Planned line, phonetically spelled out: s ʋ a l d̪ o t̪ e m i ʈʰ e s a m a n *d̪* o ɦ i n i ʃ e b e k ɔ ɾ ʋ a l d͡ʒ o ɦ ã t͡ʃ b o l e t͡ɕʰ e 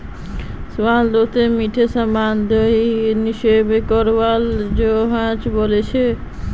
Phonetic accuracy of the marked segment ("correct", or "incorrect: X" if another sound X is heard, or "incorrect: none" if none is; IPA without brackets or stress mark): correct